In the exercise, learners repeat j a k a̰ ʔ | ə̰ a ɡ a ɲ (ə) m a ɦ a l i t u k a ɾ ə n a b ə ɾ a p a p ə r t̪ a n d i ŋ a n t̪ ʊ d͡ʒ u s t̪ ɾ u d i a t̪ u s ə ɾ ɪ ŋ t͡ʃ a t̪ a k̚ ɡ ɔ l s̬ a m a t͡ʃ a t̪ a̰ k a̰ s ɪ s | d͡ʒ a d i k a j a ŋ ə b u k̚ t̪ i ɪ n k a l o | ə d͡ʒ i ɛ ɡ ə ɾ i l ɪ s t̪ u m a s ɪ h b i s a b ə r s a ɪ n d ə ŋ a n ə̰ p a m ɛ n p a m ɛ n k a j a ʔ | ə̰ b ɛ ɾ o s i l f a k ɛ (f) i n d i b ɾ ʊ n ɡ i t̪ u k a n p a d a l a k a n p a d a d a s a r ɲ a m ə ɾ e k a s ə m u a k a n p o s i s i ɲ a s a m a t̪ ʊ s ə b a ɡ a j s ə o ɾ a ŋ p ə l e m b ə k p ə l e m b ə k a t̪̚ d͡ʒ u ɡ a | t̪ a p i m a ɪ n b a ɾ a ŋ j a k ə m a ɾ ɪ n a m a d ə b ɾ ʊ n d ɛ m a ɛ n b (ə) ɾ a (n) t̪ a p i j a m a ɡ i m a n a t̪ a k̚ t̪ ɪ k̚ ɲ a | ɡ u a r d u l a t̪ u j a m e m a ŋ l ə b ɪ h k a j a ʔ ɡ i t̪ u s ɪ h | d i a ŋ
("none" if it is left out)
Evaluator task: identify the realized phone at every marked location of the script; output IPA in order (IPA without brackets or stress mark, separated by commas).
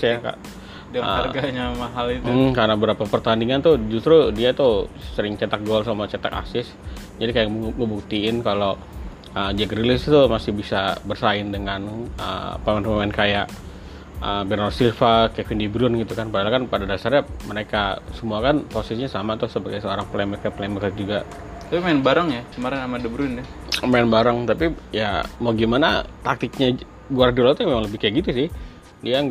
a, f, a, ŋ